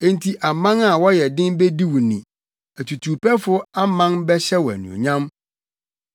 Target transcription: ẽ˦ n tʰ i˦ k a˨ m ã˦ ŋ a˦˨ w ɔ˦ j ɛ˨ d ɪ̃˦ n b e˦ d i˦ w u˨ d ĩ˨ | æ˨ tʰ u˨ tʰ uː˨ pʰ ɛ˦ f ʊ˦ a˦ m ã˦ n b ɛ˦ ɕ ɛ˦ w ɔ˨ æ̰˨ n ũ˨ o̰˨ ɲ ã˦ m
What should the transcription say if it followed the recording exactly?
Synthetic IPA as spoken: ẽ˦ n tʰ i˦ ʔ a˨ m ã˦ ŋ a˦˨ w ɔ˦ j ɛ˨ d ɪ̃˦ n b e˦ d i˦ w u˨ n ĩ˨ | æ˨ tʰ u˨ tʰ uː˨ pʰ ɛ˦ f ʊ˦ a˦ m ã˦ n b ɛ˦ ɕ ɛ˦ w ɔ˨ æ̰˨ n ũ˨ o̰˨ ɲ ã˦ m